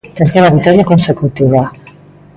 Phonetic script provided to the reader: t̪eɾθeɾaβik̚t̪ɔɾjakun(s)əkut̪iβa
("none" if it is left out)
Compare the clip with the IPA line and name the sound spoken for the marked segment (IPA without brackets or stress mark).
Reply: s